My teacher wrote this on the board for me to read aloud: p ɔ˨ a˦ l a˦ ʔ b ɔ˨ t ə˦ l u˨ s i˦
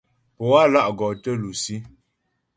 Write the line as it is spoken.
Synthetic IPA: p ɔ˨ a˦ l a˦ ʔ ɡ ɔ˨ t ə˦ l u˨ s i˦